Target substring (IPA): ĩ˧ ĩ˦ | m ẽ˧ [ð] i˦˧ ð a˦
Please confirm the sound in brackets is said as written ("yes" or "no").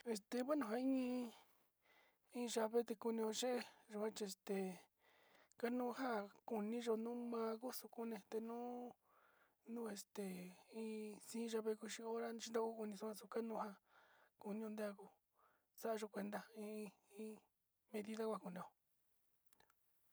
yes